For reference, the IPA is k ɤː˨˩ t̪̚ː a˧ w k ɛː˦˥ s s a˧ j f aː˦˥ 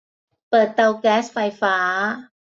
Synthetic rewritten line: p ɤː˨˩ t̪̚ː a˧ w k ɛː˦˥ s f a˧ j f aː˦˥